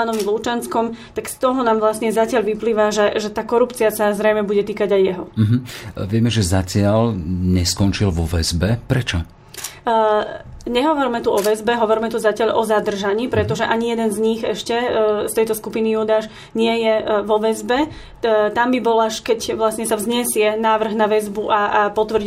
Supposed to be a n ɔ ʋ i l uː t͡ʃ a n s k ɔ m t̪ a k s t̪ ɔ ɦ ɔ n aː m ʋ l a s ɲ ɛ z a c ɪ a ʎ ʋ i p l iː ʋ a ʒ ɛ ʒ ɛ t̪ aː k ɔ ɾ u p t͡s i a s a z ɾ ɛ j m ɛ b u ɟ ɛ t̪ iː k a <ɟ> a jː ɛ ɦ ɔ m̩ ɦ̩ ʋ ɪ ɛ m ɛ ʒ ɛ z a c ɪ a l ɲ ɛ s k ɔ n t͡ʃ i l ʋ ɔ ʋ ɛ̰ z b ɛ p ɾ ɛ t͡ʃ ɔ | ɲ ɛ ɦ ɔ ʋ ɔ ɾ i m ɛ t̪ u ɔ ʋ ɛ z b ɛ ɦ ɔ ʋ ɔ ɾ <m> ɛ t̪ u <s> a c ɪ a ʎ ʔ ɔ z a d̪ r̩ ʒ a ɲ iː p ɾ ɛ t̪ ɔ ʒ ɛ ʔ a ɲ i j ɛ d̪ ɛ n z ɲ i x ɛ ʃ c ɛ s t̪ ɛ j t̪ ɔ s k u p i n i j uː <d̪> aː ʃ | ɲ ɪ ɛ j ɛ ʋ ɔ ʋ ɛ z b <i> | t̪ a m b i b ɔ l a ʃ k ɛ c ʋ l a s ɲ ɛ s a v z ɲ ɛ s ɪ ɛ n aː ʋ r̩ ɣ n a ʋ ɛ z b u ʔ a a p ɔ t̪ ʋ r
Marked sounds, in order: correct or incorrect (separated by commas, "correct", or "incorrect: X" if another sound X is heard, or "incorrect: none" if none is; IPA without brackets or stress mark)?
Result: correct, correct, incorrect: z, correct, incorrect: ɛ